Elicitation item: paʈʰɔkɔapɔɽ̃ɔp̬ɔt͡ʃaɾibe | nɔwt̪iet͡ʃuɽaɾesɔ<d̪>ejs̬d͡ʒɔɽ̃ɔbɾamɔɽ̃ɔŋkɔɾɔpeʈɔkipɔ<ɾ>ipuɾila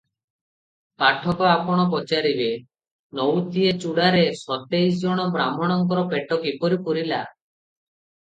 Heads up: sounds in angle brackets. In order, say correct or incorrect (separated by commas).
incorrect, correct